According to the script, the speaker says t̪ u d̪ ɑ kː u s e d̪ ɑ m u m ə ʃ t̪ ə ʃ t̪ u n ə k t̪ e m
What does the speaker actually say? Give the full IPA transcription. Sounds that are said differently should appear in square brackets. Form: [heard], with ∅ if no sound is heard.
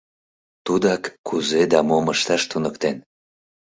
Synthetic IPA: t̪ u d̪ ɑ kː u [z] e d̪ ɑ m [o] m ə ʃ t̪ [ɑ] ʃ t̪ u n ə k t̪ e [n]